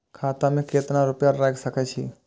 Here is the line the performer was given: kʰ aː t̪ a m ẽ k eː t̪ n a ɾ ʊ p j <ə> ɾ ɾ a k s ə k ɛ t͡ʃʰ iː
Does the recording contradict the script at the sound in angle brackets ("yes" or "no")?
yes